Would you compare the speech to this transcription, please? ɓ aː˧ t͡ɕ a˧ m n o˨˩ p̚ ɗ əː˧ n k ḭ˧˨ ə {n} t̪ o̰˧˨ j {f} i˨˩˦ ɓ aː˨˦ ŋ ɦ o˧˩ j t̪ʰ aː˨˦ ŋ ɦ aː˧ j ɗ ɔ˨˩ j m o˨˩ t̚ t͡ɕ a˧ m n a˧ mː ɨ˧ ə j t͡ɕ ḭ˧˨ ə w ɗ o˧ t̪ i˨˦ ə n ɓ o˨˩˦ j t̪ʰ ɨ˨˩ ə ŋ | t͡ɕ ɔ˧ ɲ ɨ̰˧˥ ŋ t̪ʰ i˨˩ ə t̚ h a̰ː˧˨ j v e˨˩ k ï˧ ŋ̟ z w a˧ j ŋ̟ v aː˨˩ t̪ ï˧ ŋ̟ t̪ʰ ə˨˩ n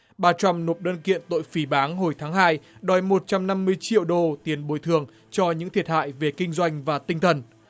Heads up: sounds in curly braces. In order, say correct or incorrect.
correct, correct

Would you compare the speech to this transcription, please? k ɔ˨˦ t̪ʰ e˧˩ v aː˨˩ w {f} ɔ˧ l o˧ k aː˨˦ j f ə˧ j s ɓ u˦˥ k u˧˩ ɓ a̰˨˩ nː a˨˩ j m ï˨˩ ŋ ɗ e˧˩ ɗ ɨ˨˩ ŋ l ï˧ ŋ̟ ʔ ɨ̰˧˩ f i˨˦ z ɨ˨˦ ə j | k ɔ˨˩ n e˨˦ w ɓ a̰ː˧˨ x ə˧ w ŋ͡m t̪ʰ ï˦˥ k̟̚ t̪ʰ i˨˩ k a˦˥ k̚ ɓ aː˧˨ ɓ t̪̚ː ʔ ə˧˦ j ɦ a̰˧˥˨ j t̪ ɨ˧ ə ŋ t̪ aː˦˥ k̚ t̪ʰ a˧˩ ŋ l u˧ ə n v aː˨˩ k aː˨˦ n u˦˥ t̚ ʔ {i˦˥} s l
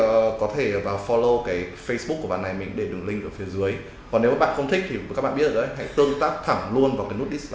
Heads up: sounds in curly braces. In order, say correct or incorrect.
correct, correct

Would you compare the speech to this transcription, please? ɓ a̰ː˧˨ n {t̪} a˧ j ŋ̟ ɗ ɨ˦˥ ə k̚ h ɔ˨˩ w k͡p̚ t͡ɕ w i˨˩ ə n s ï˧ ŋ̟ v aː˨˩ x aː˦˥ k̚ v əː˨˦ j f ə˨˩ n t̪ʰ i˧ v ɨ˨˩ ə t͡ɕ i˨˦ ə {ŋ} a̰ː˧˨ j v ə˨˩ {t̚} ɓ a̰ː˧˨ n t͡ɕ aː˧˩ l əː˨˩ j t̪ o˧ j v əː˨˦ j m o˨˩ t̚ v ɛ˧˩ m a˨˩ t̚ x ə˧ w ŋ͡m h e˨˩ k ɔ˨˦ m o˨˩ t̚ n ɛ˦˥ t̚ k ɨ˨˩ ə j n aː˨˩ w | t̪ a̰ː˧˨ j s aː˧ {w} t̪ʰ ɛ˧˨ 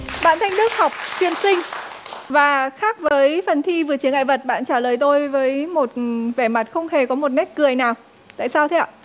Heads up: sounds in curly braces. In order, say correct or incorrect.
incorrect: t̪ʰ, correct, correct, correct

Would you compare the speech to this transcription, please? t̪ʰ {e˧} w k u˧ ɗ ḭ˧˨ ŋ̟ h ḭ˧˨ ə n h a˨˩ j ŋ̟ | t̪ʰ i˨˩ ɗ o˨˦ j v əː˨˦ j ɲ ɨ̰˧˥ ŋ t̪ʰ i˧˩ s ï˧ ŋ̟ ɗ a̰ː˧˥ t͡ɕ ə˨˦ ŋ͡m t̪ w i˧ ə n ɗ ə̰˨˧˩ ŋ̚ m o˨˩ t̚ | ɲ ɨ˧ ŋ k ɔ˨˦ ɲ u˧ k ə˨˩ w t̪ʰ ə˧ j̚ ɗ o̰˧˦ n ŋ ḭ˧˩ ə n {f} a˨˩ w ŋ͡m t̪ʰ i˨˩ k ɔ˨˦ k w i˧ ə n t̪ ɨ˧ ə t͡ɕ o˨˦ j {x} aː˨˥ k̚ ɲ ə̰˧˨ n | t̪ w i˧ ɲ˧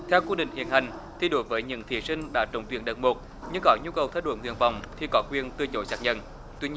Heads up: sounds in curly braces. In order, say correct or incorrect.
incorrect: ɛ˧, incorrect: v, incorrect: s

